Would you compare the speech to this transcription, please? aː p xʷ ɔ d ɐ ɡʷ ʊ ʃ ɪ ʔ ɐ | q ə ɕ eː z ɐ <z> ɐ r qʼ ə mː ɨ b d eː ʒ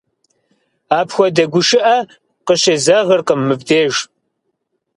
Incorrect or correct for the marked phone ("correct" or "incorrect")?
incorrect